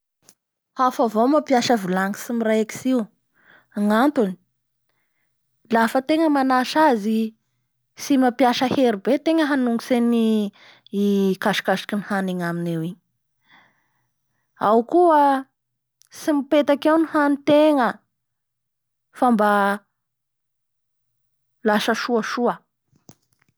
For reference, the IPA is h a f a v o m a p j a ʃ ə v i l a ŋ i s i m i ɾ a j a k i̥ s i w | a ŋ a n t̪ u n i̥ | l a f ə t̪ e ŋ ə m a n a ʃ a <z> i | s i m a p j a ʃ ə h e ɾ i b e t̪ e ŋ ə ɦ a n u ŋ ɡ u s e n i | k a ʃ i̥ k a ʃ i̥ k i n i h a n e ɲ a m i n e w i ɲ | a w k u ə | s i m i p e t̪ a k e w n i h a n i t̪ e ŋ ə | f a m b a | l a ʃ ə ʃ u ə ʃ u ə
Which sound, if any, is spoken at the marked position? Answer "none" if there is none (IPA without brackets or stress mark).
z